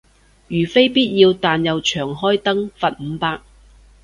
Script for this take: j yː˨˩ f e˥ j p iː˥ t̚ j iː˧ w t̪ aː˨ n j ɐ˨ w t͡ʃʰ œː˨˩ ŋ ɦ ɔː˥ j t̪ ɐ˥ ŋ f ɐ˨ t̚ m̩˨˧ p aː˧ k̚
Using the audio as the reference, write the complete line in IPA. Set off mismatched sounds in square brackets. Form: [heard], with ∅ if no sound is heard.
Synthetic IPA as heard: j yː˨˩ f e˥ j p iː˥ t̚ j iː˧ w t̪ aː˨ n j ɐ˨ w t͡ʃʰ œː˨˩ ŋ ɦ ɔː˥ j t̪ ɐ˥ ŋ f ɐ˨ t̚ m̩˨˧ p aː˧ k̚